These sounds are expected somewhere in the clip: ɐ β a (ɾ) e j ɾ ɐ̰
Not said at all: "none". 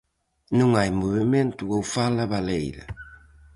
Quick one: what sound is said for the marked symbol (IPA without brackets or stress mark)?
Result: l